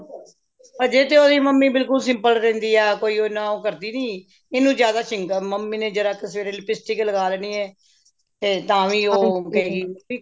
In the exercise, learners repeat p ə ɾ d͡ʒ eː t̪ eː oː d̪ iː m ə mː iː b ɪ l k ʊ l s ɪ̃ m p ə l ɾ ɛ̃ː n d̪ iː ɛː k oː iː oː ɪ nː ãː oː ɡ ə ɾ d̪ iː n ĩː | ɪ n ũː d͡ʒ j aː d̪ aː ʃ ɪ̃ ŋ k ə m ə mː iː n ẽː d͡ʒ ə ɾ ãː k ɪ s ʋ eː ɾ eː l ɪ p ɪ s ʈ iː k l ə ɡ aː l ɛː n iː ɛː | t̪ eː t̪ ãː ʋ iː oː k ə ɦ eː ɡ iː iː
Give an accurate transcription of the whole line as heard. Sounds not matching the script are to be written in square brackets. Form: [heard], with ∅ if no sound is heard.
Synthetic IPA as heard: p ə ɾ d͡ʒ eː t̪ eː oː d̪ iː m ə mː iː b ɪ l k ʊ l s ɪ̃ m p ə l ɾ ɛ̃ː n d̪ iː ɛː k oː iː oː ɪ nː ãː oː [k] ə ɾ d̪ iː n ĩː | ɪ n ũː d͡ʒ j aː d̪ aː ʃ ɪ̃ ŋ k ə m ə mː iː n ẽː d͡ʒ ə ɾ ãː k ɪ s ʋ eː ɾ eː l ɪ p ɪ s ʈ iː k l ə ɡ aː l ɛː n iː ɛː | t̪ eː t̪ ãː ʋ iː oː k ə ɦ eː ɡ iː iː